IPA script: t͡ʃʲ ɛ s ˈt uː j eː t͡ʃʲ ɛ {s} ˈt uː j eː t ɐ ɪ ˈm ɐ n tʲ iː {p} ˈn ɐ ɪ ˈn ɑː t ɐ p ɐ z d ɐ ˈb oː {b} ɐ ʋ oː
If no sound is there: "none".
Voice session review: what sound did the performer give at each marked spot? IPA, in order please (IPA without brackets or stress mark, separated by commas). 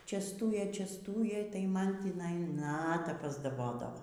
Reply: s, none, d